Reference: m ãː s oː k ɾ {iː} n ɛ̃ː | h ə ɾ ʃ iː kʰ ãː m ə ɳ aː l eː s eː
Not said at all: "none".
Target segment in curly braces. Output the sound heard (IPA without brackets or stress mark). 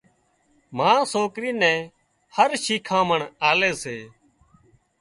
iː